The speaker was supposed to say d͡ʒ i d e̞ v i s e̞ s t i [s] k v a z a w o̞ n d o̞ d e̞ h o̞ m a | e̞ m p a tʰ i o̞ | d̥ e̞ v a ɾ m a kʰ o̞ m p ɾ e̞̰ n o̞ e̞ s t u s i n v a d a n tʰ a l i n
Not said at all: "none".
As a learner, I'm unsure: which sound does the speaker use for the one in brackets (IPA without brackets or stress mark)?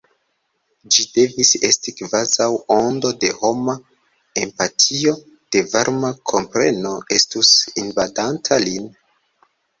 none